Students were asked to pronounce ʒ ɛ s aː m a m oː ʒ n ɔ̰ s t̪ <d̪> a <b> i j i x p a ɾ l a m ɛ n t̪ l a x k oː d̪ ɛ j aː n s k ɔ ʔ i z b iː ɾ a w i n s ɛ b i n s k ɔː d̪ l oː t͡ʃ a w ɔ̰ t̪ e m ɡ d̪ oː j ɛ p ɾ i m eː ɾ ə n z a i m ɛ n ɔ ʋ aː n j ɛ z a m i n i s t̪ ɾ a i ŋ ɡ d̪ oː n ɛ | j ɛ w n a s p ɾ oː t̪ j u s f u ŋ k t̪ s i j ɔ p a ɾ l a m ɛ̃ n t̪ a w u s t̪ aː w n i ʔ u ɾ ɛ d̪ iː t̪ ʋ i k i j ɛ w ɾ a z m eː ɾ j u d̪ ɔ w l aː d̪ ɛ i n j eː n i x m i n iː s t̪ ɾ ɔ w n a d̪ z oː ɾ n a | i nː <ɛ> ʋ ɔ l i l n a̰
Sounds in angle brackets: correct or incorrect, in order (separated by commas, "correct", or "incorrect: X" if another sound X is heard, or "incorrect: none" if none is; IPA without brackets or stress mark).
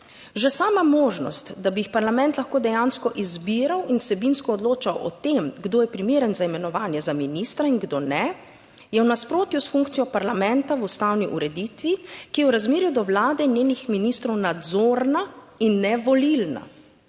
correct, correct, correct